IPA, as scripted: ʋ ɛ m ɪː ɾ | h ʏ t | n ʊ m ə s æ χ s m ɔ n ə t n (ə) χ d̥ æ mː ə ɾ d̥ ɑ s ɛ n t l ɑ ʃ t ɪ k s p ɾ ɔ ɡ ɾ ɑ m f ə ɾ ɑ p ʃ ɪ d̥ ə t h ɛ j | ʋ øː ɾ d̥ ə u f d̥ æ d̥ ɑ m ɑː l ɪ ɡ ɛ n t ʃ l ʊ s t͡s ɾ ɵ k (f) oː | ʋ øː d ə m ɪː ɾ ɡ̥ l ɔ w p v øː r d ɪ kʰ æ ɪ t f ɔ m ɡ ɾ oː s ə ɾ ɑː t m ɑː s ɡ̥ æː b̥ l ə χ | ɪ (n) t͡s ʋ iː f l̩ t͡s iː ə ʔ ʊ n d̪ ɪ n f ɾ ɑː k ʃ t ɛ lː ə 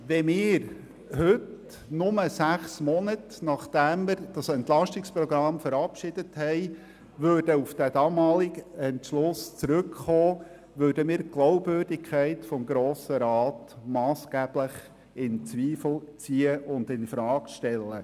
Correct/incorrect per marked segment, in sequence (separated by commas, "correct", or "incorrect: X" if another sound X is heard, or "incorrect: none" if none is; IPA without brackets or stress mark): incorrect: ɑ, incorrect: χ, correct